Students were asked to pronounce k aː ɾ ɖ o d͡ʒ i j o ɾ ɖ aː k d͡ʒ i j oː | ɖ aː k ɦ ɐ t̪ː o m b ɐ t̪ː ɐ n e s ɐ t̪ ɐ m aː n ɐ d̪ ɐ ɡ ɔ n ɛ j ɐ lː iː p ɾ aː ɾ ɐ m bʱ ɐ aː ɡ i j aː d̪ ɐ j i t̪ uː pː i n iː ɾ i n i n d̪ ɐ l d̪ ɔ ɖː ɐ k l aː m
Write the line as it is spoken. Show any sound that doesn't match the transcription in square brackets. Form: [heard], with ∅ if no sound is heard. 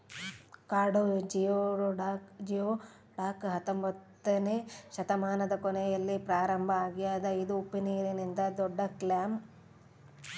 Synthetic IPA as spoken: k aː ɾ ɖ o d͡ʒ i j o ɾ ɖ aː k d͡ʒ i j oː | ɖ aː k ɦ ɐ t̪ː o m b ɐ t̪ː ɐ n e [ʃ] ɐ t̪ ɐ m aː n ɐ d̪ ɐ [k] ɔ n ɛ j ɐ lː [i] p ɾ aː ɾ ɐ m bʱ ɐ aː ɡ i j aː d̪ ɐ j i [d̪] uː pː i n iː ɾ i n i n d̪ ɐ [∅] d̪ ɔ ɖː ɐ k l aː m